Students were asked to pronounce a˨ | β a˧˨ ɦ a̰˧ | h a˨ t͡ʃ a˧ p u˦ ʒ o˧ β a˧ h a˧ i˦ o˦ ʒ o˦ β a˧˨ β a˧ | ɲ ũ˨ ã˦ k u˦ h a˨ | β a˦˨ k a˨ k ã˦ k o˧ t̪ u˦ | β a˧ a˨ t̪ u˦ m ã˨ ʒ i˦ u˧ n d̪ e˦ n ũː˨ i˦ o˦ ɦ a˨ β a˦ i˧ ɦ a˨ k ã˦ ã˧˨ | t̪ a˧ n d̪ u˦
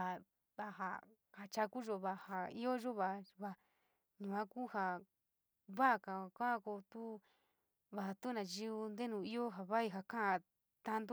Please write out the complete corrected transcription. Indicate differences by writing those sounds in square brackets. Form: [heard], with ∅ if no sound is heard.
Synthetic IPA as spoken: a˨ | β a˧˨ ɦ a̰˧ | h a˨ t͡ʃ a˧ [k] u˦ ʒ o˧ β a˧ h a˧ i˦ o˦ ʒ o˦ β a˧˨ β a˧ | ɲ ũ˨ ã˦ k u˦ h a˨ | β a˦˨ k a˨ k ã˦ k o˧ t̪ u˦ | β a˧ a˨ t̪ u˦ [n] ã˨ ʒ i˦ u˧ n d̪ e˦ n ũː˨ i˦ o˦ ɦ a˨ β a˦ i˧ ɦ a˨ k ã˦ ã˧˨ | t̪ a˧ n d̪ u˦